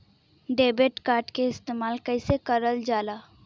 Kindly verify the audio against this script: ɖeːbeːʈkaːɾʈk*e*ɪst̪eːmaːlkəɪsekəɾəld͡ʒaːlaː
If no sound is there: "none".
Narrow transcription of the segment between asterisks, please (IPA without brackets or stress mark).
e